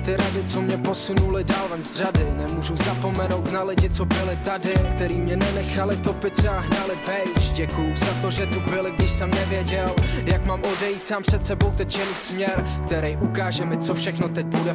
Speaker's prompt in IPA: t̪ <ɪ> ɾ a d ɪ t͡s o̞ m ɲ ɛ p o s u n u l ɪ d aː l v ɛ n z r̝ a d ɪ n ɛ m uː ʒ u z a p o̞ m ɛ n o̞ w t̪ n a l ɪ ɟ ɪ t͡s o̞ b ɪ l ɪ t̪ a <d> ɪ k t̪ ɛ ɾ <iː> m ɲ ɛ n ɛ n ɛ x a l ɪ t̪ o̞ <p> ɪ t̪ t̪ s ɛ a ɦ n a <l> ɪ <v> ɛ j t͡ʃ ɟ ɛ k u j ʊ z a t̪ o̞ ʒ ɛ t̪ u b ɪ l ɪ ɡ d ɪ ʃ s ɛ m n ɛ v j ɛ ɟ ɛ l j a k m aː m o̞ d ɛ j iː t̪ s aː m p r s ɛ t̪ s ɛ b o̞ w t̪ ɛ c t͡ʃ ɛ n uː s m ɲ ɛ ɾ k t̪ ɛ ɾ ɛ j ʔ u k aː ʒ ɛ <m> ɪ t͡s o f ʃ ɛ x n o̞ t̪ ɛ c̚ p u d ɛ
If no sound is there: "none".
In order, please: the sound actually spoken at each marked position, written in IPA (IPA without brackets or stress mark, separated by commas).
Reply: ɪ, d, iː, p, l, v, m